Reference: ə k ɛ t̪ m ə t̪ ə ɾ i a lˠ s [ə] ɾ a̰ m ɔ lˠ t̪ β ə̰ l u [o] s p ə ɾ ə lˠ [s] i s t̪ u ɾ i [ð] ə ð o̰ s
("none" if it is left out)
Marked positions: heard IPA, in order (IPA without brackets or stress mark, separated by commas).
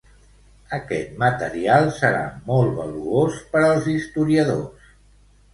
ə, o, z, none